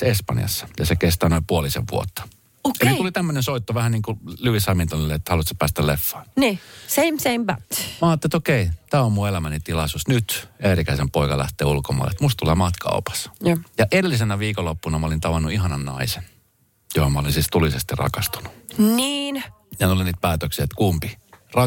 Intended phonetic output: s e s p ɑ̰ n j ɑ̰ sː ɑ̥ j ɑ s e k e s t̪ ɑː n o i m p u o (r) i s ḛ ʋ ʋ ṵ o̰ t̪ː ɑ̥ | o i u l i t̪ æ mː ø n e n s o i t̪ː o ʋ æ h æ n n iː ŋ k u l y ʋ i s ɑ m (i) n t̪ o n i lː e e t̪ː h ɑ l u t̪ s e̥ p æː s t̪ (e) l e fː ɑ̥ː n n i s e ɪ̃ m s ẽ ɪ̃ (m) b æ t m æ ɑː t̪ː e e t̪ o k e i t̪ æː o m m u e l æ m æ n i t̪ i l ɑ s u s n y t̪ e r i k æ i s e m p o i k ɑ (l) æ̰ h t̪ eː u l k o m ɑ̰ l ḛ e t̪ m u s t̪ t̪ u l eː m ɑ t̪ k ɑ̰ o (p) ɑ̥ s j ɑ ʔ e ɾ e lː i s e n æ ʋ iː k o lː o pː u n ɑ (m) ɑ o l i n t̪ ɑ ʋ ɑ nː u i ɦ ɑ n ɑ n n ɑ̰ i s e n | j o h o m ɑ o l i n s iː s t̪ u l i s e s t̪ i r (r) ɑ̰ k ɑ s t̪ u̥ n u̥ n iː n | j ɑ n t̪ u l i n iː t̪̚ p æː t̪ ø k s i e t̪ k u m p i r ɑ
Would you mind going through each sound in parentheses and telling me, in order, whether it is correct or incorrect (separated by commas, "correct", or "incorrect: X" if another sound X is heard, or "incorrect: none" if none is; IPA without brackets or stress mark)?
incorrect: l, correct, incorrect: æ, correct, correct, correct, correct, correct